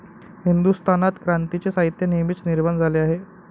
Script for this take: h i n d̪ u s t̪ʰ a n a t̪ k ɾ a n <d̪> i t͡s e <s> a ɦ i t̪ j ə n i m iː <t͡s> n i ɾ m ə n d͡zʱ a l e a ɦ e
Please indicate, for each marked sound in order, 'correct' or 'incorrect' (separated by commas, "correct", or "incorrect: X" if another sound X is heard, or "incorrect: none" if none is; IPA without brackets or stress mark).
incorrect: t̪, correct, correct